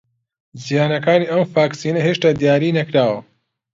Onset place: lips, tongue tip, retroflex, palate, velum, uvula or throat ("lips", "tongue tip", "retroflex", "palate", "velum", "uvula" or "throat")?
tongue tip